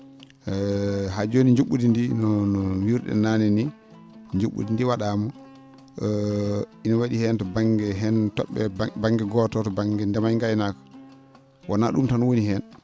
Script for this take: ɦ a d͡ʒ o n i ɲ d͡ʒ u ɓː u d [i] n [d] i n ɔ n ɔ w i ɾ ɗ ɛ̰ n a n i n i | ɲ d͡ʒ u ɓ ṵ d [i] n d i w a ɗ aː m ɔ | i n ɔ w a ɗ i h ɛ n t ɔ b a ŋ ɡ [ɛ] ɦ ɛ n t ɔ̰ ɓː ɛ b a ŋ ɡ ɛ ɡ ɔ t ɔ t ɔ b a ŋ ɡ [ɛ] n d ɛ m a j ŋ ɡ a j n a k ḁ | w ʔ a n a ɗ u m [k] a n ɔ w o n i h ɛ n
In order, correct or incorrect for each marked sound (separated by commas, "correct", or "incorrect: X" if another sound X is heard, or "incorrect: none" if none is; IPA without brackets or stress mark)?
correct, correct, correct, correct, correct, incorrect: t